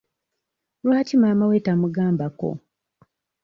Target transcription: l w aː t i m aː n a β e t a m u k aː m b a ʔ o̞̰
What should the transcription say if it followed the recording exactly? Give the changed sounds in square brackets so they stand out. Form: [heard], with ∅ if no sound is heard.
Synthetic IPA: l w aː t i m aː [m] a [w] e t a m u [ɡ] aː m b a [k] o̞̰